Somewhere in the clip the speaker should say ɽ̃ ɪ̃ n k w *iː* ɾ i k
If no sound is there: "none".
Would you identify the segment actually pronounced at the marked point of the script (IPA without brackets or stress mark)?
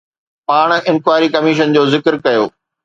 aː